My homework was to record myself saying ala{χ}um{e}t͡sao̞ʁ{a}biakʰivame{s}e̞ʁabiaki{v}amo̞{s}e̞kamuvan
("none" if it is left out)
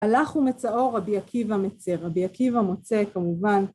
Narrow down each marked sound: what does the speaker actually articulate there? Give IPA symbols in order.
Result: χ, e, a, t͡s, v, t͡s

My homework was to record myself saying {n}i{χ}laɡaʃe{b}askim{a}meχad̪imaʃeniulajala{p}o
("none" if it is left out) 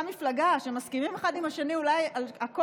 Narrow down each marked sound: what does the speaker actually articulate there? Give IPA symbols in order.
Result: m, f, m, i, k

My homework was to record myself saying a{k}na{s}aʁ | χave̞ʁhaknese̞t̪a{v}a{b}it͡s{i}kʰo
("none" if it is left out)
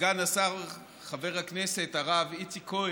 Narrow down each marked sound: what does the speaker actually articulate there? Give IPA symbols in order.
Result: none, s, ʁ, v, i

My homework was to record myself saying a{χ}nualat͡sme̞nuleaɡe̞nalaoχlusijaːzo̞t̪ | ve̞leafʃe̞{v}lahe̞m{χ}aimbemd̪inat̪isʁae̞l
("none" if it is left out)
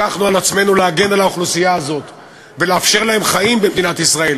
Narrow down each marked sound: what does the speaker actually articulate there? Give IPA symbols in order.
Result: χ, ʁ, χ

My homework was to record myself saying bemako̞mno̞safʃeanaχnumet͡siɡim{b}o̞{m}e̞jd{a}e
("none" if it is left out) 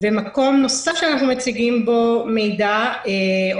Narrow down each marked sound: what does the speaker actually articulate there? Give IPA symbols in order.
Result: b, m, a

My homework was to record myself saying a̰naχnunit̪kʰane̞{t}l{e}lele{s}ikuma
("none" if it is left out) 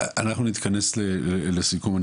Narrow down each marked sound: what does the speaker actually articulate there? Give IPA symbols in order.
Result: s, e, s

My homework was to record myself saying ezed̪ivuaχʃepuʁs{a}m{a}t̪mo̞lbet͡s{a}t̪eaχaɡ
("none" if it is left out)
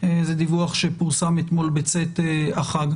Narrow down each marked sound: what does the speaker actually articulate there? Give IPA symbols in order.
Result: a, e, e

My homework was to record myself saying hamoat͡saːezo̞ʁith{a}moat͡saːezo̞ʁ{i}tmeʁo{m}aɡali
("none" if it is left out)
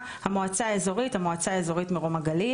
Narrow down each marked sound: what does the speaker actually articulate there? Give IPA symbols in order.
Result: a, i, m

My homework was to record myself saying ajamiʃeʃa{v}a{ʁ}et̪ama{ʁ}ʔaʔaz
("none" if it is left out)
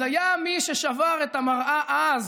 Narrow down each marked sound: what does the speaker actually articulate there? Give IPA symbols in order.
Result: v, ʁ, ʁ

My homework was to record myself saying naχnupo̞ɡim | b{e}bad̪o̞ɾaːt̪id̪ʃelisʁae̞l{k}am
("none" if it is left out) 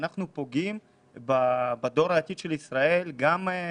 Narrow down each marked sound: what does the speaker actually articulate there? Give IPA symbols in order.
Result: a, ɡ

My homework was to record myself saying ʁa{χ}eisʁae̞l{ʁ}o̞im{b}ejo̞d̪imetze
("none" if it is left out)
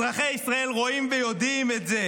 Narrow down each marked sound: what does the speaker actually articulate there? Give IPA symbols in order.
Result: χ, ʁ, v

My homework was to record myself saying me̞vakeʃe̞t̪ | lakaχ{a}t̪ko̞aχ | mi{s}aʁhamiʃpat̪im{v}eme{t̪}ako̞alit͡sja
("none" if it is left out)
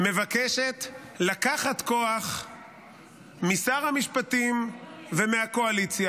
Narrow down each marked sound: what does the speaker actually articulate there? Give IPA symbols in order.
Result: a, s, v, none

